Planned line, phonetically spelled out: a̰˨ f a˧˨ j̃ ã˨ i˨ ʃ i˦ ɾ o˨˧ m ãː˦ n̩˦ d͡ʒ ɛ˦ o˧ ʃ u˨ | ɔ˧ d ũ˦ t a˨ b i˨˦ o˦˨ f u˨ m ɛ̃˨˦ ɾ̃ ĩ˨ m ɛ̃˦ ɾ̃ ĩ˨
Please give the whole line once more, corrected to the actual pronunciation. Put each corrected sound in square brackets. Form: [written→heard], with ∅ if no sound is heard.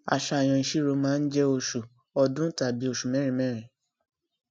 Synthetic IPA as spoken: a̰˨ [f→ʃ] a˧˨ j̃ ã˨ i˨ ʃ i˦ ɾ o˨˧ m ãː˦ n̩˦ d͡ʒ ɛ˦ o˧ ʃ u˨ | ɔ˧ d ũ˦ t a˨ b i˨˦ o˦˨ [f→ʃ] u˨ m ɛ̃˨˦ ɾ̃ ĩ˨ m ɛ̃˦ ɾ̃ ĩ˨